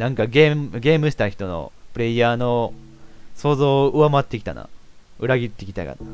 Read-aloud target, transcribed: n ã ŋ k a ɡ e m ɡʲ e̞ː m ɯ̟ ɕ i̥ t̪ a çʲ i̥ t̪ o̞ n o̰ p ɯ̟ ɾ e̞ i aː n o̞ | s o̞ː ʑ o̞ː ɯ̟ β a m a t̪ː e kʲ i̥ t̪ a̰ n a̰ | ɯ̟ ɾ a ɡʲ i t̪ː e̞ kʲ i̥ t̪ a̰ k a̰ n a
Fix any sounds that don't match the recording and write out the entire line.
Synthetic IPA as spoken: n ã ŋ k a ɡ e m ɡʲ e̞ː m ɯ̟ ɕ i̥ t̪ a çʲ i̥ t̪ o̞ n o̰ p ɯ̟ ɾ e̞ i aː n o̞ | s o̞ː z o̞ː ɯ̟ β a m a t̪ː e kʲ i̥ t̪ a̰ n a̰ | ɯ̟ ɾ a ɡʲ i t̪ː e̞ kʲ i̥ t̪ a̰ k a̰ n a